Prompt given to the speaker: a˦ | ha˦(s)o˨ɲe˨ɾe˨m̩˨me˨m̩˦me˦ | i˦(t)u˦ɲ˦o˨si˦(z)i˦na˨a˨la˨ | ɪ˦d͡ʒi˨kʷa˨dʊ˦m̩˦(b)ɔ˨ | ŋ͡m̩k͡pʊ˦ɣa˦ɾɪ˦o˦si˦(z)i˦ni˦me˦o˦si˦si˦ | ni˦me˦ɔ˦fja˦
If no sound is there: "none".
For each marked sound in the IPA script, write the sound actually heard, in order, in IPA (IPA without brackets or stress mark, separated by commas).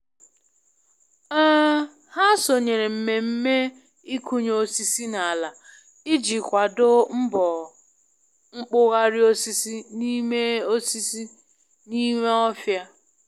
s, k, s, b, s